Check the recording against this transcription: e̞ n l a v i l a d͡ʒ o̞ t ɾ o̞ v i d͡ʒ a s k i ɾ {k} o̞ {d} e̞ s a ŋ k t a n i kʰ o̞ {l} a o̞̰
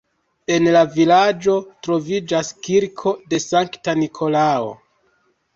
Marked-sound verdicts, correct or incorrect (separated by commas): incorrect, correct, correct